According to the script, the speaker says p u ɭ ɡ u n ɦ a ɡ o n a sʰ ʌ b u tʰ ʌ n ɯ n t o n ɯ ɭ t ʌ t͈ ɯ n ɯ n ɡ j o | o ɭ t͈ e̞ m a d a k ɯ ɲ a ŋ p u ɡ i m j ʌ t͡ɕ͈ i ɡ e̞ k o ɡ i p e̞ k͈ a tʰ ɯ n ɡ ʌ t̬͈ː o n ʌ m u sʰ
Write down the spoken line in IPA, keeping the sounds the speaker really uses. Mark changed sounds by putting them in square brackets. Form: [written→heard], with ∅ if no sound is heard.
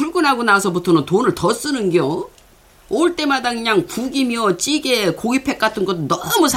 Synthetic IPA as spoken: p u ɭ ɡ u n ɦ a ɡ o n a sʰ ʌ b u tʰ ʌ n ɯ n t o n ɯ ɭ t ʌ [t͈→s͈] ɯ n ɯ n ɡ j o | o ɭ t͈ e̞ m a d a k ɯ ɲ a ŋ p u ɡ i m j ʌ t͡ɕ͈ i ɡ e̞ k o ɡ i [p→pʰ] e̞ k͈ a tʰ ɯ n ɡ ʌ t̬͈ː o n ʌ m u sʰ